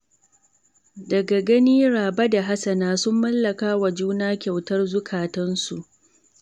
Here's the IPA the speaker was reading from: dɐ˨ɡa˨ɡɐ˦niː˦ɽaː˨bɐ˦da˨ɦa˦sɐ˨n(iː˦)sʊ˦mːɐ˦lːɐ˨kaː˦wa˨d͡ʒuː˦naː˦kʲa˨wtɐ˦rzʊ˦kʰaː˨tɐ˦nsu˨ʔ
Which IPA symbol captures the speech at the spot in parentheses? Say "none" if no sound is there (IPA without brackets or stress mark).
aː˦